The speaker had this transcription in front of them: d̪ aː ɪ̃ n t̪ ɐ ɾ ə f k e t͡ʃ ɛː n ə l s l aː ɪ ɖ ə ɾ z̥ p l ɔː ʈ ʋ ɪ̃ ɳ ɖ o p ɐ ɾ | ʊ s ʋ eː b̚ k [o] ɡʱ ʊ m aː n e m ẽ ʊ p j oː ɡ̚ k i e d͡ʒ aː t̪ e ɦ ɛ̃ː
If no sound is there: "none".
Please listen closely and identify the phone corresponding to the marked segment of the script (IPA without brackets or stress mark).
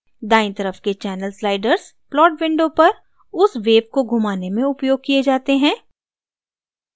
o